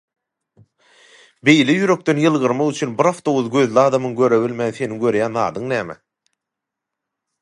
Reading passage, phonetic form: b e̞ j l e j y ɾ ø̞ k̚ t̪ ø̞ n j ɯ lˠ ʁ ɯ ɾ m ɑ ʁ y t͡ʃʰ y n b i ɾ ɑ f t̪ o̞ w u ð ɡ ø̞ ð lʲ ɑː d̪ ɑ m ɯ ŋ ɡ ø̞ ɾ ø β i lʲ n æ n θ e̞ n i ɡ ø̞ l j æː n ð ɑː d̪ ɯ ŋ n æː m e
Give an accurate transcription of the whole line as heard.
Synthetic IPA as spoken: b e̞ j l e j y ɾ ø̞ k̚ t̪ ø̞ n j ɯ lˠ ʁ ɯ ɾ m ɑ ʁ y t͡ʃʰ y n b i ɾ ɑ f t̪ o̞ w u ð ɡ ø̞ ð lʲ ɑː d̪ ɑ m ɯ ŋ ɡ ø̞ ɾ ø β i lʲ m æ n θ e̞ n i ɡ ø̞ ɾ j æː n ð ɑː d̪ ɯ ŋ n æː m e